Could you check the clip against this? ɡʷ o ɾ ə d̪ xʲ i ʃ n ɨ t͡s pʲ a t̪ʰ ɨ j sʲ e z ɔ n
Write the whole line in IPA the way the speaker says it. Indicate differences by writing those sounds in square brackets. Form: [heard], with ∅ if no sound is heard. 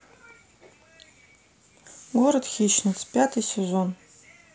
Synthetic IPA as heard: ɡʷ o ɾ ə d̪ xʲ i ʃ n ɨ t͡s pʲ a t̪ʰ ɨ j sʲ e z [o] n